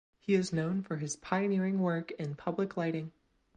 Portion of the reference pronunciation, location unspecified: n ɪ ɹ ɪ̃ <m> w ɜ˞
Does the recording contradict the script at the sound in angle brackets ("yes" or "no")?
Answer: yes